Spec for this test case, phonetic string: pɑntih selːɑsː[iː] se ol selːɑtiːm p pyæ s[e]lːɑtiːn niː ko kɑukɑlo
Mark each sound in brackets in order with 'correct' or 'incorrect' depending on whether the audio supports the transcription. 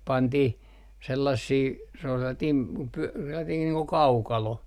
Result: correct, correct

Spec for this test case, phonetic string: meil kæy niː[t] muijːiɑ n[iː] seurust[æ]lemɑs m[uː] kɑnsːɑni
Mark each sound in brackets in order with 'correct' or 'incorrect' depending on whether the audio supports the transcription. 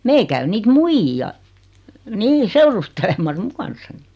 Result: correct, correct, incorrect, incorrect

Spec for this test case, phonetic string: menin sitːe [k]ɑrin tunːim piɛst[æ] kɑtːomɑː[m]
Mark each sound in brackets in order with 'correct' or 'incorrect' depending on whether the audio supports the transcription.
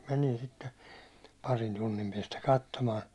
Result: incorrect, correct, incorrect

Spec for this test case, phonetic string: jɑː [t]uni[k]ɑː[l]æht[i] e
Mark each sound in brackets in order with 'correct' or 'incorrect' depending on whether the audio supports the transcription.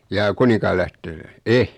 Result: incorrect, correct, correct, incorrect

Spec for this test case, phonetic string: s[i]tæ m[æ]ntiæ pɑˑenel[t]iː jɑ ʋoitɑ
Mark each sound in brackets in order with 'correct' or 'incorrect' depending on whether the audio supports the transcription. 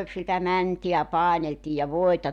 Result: correct, correct, correct

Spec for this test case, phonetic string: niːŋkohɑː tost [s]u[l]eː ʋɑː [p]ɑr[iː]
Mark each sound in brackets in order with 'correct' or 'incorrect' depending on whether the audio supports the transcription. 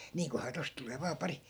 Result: incorrect, correct, correct, incorrect

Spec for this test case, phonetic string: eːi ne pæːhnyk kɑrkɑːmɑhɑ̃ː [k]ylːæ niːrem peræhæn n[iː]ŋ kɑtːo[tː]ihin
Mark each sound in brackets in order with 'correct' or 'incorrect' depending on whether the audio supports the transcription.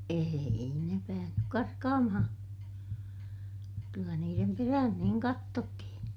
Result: correct, correct, correct

